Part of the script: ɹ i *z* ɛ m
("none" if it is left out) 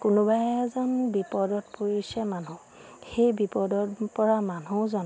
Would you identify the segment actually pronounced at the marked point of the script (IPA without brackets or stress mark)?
s